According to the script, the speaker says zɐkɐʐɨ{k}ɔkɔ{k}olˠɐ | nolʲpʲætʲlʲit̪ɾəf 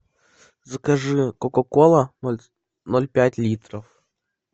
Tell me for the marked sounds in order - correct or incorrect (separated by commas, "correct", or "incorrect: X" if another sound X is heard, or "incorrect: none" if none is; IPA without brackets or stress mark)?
correct, correct